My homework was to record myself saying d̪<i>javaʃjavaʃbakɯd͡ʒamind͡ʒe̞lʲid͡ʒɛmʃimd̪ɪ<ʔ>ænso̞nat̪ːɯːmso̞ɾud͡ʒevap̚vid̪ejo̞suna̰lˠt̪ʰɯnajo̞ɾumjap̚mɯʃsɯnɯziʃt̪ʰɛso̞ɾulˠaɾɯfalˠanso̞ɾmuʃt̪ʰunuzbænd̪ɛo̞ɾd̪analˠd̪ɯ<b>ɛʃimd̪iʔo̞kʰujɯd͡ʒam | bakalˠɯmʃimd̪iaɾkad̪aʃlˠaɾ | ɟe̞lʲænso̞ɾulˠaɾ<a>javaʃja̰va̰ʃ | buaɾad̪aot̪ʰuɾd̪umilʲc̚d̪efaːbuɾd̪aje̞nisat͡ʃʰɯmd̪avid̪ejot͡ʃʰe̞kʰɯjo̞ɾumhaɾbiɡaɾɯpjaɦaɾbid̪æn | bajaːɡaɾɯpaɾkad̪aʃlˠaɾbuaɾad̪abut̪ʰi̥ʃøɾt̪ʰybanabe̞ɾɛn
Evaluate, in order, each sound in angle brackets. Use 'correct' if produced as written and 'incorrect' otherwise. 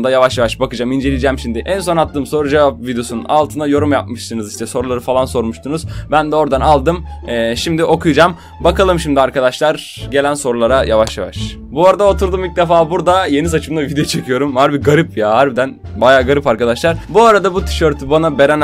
incorrect: a, correct, incorrect: m, correct

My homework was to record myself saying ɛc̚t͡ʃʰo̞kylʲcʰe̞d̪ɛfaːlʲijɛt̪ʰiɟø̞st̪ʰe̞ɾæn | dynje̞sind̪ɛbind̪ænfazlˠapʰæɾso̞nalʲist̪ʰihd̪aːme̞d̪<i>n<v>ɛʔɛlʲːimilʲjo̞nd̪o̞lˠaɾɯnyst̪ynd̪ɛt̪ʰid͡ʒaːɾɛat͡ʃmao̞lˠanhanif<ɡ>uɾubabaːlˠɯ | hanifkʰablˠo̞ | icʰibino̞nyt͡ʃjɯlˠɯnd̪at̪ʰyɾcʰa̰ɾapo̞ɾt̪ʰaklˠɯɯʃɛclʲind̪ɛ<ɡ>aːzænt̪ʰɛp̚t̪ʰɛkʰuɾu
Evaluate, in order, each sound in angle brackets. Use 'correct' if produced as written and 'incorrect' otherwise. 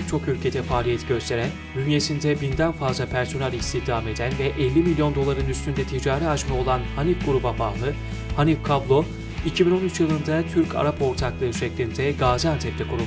incorrect: æ, correct, correct, correct

